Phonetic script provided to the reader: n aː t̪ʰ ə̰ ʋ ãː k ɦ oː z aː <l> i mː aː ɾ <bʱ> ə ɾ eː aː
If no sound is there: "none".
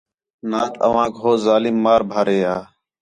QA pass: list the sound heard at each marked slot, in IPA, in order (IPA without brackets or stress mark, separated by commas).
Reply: l, bʱ